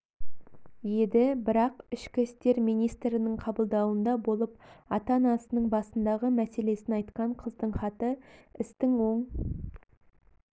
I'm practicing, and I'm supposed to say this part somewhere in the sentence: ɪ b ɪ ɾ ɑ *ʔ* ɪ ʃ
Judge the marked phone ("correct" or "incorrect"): incorrect